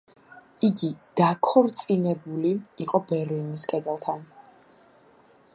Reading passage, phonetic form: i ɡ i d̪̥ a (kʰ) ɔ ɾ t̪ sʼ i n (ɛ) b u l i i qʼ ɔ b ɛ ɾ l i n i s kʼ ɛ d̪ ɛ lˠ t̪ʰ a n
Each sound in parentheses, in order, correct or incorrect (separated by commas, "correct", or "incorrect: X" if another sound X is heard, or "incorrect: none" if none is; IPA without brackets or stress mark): correct, correct